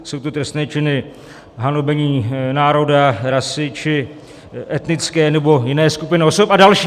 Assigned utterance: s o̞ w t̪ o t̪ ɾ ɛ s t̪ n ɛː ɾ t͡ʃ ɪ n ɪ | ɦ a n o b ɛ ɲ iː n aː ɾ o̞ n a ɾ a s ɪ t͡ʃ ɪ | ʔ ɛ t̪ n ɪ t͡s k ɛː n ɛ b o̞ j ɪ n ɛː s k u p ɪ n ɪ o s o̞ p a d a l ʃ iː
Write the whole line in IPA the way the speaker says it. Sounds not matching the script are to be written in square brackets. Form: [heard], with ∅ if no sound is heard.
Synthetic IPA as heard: s o̞ w t̪ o t̪ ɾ ɛ s t̪ n ɛː [∅] t͡ʃ ɪ n ɪ | ɦ a n o b ɛ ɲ iː n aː ɾ o̞ [d] a ɾ a s ɪ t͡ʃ ɪ | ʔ ɛ t̪ n ɪ t͡s k ɛː n ɛ b o̞ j ɪ n ɛː s k u p ɪ n ɪ o s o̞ p a d a l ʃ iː